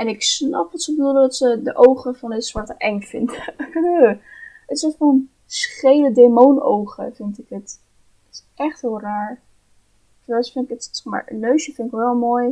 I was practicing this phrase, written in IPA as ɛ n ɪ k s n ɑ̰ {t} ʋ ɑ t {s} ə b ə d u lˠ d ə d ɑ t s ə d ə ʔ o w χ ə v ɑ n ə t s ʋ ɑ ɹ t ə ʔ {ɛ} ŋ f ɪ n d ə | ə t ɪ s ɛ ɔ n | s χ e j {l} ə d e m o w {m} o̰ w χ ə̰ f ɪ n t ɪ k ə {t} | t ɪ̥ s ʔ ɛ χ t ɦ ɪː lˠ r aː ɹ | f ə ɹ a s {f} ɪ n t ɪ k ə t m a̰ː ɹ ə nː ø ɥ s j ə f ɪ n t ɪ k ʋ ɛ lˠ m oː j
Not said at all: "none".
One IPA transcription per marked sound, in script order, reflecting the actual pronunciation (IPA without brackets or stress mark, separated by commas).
p, s, ɛ, l, n, t, f